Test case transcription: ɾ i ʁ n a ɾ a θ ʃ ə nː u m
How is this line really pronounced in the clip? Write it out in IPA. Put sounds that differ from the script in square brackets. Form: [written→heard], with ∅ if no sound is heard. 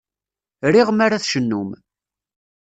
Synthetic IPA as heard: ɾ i ʁ [n→m] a ɾ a θ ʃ ə nː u m

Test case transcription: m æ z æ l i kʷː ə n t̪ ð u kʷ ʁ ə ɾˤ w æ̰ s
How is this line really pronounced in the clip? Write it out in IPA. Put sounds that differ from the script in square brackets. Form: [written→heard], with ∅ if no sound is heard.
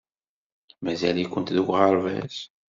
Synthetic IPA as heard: m æ z æ l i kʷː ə n t̪ ð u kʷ ʁ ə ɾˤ [w→v] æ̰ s

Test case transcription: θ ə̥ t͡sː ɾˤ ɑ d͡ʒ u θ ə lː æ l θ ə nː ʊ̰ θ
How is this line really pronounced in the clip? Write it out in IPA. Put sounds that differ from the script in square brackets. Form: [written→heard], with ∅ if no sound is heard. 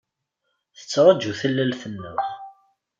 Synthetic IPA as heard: θ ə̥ t͡sː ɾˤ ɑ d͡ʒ u θ ə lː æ l θ ə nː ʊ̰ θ

